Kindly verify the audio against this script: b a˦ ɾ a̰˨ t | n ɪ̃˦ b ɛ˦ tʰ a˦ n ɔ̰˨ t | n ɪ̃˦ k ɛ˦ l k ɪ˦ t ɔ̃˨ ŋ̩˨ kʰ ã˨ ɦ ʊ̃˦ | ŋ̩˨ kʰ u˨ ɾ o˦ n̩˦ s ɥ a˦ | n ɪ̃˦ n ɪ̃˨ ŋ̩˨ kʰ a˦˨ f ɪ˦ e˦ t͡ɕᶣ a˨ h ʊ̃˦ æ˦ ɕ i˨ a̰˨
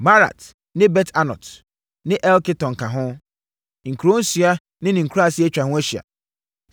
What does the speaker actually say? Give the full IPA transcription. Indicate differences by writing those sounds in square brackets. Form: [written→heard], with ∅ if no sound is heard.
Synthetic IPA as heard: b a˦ ɾ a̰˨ t | n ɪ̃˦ b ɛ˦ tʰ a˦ n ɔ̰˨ t | n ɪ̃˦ [k→ʔ] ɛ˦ l k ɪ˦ t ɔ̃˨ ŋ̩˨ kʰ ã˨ ɦ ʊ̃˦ | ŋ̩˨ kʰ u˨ ɾ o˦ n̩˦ s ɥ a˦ | n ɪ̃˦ n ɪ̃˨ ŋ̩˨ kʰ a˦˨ [f→s] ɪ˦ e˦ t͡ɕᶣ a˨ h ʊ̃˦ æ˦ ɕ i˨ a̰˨

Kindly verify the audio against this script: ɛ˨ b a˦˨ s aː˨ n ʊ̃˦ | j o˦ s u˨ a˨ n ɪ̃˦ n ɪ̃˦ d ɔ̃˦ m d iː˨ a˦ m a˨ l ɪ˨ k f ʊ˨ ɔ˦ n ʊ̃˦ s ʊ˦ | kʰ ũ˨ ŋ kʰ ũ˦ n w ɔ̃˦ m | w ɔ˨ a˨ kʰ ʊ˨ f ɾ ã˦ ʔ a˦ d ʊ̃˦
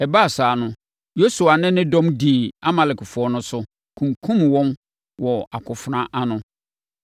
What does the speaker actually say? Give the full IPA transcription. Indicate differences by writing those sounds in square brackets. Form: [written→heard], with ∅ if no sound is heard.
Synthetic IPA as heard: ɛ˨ b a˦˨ s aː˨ n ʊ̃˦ | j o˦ s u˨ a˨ n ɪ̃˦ n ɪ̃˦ d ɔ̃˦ m d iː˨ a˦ m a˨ l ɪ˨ k f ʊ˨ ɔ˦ n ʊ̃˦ s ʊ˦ | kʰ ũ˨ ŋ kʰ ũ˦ [n→m] w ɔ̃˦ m | w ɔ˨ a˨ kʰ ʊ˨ f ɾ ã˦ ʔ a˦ [d→n] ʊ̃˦

